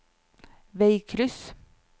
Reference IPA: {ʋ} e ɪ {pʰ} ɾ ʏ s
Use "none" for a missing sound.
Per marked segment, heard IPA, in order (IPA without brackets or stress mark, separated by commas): ʋ, kʰ